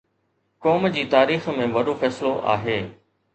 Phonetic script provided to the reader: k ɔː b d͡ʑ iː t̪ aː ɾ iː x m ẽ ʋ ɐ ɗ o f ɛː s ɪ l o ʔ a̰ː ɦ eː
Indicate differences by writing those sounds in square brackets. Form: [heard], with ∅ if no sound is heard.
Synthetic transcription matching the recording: k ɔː [m] d͡ʑ iː t̪ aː ɾ iː x m ẽ ʋ ɐ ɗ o f ɛː s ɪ l o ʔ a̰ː ɦ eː